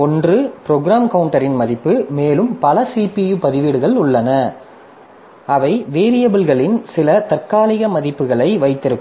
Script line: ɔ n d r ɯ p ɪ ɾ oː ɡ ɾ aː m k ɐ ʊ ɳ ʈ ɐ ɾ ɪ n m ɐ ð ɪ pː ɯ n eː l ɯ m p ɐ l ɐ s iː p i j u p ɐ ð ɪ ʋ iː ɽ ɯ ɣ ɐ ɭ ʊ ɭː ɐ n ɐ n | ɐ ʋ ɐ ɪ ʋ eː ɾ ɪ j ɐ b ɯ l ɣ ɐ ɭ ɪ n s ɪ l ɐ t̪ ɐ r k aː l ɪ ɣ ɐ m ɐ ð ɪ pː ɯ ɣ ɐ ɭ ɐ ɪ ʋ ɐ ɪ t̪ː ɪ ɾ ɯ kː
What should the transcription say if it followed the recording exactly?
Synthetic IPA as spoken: ɔ n d r ɯ p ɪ ɾ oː ɡ ɾ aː m k ɐ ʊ ɳ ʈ ɐ ɾ ɪ n m ɐ ð ɪ pː ɯ m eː l ɯ m p ɐ l ɐ s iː p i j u p ɐ ð ɪ ʋ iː ɽ ɯ ɣ ɐ ɭ ʊ ɭː ɐ n ɐ | ɐ ʋ ɐ ɪ ʋ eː ɾ ɪ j ɐ b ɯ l ɣ ɐ ɭ ɪ n s ɪ l ɐ t̪ ɐ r k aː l ɪ ɣ ɐ m ɐ ð ɪ pː ɯ ɣ ɐ ɭ ɐ ɪ ʋ ɐ ɪ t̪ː ɪ ɾ ɯ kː